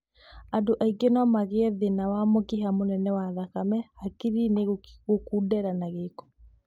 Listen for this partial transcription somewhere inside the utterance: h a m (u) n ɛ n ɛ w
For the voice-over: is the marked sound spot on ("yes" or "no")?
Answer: no